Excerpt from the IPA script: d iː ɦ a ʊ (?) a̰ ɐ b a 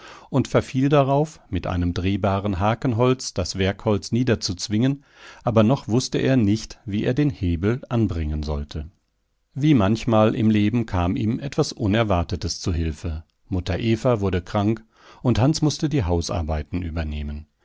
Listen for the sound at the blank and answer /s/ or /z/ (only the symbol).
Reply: s